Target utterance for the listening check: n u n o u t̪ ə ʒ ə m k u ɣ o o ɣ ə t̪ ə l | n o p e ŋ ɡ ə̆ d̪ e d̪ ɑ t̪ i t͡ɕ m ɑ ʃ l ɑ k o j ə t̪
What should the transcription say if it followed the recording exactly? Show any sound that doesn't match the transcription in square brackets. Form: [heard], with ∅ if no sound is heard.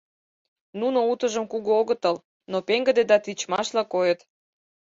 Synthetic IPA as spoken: n u n o u t̪ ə ʒ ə m k u ɣ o o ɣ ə t̪ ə l | n o p e ŋ ɡ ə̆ d̪ e d̪ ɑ t̪ i t͡ɕ m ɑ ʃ l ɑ k o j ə t̪